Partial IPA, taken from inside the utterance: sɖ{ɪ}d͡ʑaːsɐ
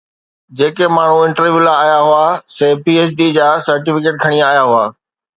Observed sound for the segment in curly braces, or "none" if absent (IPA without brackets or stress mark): i